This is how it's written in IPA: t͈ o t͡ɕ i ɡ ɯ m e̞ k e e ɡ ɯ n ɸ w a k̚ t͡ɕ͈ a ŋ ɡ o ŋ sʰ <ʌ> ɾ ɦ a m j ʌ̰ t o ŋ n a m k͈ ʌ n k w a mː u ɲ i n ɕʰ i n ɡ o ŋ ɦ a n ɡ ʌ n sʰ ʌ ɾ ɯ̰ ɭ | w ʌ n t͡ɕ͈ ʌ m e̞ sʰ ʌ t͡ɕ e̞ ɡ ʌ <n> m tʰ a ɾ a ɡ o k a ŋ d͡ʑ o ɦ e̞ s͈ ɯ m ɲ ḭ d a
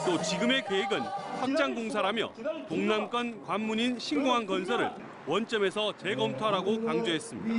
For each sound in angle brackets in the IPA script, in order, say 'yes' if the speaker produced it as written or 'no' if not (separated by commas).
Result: no, no